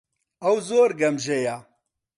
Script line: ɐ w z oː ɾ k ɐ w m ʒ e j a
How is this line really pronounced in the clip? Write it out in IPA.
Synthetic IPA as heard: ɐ w z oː ɾ ɡ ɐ m ʒ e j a